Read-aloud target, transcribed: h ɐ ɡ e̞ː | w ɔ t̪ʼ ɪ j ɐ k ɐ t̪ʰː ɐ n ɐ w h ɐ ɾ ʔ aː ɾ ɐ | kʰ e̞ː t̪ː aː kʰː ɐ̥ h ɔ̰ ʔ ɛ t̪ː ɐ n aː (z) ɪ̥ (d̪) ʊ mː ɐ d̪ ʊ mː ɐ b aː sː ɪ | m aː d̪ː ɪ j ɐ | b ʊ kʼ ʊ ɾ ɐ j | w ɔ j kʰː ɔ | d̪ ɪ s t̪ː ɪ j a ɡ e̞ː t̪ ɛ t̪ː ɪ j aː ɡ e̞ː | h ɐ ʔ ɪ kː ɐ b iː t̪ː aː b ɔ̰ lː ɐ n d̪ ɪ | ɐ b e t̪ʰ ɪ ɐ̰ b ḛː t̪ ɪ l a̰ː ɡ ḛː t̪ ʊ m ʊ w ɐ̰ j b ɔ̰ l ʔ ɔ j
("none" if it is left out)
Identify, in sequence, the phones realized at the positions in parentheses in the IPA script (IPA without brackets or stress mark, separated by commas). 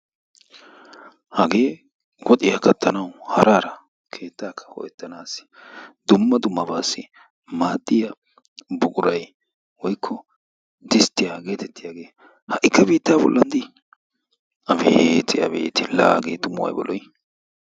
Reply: s, d̪